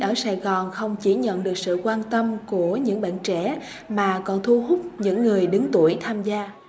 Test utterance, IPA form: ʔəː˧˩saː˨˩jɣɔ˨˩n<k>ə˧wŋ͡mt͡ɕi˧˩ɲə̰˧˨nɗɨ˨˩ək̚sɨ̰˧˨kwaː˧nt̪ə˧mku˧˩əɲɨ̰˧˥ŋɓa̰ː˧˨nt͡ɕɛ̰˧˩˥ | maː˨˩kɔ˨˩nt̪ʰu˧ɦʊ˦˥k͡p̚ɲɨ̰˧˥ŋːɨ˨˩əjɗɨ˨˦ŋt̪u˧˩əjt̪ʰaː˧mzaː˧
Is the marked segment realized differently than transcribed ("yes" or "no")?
yes